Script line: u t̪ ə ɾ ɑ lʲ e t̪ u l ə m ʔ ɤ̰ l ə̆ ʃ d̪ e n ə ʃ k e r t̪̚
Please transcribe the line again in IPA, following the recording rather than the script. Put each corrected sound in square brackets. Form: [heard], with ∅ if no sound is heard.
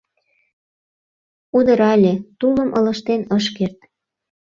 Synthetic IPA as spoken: u [d̪] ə ɾ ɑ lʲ e t̪ u l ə m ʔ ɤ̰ l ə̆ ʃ [t̪] e n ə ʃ k e r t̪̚